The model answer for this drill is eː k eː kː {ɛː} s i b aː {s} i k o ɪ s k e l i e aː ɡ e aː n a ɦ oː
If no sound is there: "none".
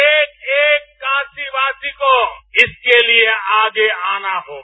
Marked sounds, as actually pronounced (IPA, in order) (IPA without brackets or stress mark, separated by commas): aː, s